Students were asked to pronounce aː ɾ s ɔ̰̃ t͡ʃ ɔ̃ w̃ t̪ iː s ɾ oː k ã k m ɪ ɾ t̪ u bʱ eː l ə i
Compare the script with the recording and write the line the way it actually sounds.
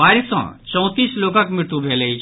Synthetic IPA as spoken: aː ɾ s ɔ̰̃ t͡ʃ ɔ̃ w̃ t̪ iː s l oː k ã k m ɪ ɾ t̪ u bʱ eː l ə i